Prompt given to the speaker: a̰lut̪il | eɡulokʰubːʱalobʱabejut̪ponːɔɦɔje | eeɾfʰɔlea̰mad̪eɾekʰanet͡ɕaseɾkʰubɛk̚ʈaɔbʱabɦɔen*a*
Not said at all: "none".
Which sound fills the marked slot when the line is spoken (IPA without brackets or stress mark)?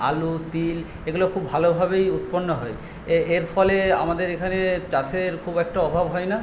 a